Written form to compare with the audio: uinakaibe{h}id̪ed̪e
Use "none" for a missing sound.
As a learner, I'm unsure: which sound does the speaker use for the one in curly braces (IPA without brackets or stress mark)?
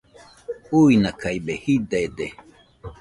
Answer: h